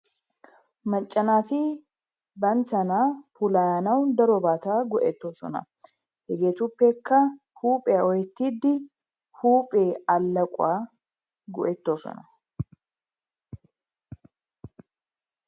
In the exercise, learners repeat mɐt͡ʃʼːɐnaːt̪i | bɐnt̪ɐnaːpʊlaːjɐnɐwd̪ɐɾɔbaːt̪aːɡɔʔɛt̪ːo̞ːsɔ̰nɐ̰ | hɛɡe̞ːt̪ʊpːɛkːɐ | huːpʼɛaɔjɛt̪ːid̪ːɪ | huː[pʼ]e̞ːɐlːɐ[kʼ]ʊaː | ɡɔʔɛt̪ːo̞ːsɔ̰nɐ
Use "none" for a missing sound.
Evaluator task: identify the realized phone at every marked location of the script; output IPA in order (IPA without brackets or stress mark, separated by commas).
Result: pʼ, kʼ